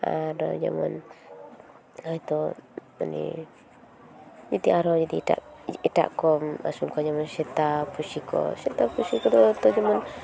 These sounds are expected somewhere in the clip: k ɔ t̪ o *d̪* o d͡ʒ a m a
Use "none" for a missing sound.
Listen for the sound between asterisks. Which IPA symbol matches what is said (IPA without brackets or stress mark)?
t̪